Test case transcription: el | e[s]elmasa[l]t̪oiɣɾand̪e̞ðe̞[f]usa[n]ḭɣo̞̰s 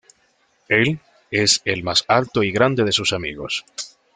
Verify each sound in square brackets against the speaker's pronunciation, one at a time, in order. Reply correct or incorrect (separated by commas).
correct, correct, incorrect, incorrect